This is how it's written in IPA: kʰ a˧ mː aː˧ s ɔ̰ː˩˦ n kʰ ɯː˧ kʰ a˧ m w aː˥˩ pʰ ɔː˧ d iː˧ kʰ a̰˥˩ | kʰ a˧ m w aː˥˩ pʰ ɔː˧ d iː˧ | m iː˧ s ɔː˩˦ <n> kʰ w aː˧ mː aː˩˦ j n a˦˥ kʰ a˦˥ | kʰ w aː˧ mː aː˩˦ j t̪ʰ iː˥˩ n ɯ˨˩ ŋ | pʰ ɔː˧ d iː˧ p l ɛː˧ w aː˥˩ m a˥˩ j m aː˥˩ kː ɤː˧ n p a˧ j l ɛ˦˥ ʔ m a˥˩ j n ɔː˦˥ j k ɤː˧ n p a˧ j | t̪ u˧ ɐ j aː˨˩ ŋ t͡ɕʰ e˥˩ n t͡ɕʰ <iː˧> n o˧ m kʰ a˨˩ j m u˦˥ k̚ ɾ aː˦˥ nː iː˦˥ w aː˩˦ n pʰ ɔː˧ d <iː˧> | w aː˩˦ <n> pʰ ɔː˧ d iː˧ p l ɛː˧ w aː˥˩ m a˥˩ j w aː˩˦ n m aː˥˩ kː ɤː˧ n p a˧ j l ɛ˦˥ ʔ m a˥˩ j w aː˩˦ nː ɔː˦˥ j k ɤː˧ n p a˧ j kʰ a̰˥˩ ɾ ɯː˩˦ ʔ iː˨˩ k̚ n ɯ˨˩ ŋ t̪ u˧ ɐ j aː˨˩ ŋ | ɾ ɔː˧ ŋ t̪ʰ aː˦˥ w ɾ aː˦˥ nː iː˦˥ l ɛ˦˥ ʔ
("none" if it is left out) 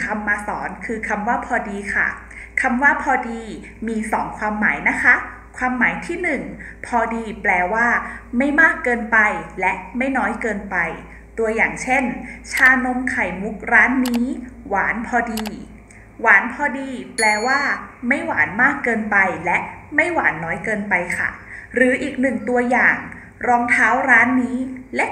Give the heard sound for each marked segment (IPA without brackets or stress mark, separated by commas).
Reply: ŋ, aː˧, iː˧, n